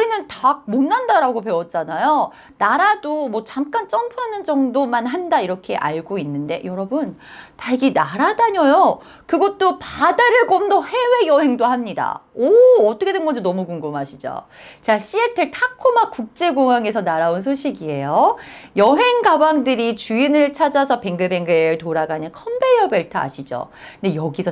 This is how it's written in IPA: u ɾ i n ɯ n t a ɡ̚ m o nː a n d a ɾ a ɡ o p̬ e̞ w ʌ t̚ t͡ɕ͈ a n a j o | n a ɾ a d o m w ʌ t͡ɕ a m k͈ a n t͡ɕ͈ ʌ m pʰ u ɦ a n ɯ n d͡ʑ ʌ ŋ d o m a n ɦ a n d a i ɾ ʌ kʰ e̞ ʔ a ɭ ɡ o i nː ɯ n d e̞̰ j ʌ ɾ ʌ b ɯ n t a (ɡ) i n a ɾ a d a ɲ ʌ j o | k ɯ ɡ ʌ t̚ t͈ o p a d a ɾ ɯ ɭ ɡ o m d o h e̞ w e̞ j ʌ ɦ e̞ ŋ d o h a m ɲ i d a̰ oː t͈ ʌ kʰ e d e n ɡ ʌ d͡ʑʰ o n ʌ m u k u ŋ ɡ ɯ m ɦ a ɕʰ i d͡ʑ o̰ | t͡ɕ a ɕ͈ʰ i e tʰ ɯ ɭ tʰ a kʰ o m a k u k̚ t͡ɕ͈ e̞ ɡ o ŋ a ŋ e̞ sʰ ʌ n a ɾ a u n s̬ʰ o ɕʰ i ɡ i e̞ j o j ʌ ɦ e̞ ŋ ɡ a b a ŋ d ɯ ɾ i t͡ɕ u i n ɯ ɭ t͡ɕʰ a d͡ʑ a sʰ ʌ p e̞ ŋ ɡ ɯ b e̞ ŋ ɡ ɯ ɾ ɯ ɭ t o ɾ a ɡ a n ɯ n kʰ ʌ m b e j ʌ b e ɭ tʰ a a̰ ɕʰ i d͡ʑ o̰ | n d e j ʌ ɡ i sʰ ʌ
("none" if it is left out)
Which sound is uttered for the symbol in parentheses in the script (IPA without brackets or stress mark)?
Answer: ɡ